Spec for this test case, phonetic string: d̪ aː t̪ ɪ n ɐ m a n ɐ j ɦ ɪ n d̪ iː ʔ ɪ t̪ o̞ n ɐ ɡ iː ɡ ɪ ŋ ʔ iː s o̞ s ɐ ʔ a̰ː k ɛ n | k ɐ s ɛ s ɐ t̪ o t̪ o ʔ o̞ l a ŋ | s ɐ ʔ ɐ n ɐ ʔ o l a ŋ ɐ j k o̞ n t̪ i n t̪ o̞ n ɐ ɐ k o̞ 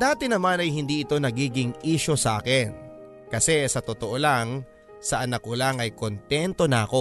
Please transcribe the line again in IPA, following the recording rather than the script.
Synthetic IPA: d̪ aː t̪ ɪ n ɐ m a n ɐ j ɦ ɪ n d̪ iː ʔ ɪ t̪ o̞ n ɐ ɡ iː ɡ ɪ ŋ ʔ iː ʃ o̞ s ɐ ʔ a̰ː k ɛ n | k ɐ s ɛ s ɐ t̪ o t̪ o ʔ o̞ l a ŋ | s ɐ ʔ ɐ n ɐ k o l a ŋ ɐ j k o̞ n t̪ ɛ n t̪ o̞ n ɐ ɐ k o̞